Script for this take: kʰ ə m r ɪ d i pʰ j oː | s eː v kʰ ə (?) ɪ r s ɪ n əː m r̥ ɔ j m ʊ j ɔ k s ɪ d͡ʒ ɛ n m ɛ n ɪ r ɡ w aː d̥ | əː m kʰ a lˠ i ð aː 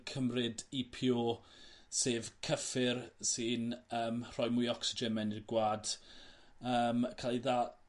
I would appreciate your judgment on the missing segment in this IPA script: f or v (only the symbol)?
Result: f